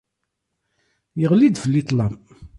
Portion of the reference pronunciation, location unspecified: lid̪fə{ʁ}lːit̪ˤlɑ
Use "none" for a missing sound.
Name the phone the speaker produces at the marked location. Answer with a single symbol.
none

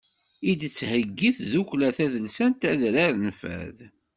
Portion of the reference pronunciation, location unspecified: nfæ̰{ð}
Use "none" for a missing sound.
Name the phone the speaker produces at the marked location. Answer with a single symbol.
ð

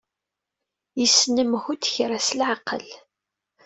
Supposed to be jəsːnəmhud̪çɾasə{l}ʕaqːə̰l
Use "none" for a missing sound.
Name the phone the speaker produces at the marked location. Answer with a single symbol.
l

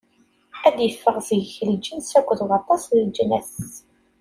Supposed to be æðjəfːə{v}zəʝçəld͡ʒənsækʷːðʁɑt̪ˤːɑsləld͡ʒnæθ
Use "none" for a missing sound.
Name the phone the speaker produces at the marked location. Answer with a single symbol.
ʁ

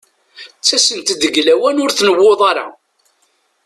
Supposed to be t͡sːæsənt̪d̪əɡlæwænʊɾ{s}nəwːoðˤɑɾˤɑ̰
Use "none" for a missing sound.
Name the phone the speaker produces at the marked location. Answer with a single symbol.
θ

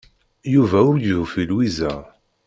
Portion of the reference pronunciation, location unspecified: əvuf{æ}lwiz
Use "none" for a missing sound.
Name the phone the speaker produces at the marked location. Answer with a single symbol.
i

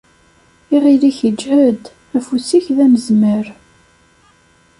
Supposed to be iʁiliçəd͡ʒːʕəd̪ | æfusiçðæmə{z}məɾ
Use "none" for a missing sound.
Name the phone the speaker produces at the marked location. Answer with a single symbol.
z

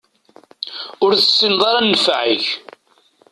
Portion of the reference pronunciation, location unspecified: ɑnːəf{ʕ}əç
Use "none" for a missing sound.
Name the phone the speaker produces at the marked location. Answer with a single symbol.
ʕ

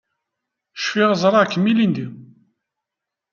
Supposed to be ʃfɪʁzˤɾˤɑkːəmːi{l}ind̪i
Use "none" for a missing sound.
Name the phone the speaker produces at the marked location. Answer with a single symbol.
l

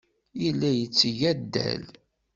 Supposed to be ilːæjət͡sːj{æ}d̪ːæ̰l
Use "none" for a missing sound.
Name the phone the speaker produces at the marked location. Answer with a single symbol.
æ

